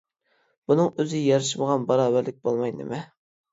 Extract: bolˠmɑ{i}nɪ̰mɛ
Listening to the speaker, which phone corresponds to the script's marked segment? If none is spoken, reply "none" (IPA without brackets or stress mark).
j